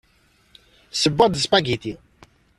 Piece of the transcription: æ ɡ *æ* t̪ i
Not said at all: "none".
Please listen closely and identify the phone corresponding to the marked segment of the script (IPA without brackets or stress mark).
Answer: i